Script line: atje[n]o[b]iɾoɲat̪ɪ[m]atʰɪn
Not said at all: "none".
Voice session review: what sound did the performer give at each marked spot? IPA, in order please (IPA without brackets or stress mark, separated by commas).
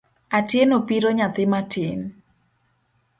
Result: n, p, m